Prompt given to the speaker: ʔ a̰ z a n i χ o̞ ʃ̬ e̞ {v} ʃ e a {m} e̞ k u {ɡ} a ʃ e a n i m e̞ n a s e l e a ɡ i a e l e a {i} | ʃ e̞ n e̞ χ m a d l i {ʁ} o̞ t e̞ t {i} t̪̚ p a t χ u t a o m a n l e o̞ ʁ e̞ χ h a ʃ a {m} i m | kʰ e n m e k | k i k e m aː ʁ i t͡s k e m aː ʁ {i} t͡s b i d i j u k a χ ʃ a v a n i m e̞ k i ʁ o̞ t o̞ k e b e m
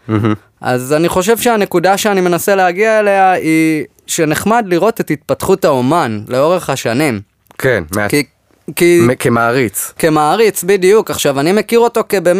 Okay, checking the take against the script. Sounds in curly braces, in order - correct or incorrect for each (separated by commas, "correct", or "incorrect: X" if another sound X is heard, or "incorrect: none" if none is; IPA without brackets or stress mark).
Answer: correct, incorrect: n, incorrect: d, correct, correct, correct, incorrect: n, correct